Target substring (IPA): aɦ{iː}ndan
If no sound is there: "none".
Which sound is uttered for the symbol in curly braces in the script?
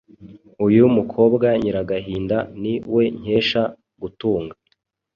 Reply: iː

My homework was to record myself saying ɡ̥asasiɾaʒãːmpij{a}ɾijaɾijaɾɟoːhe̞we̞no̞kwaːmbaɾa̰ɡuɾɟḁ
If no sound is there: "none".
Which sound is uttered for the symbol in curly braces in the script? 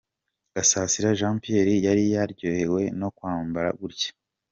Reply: e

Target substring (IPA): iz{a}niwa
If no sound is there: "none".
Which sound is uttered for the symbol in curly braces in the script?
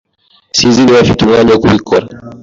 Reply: i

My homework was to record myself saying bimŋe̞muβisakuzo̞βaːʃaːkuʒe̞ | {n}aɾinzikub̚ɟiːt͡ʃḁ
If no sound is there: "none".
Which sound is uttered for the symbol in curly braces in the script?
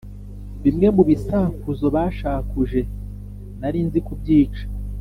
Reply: n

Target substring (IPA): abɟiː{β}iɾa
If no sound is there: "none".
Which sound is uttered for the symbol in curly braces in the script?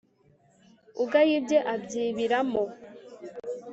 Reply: β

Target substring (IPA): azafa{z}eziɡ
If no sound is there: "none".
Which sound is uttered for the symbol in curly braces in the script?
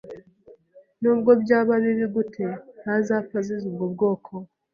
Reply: z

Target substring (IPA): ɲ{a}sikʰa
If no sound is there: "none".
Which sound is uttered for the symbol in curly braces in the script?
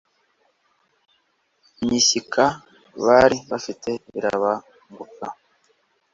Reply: i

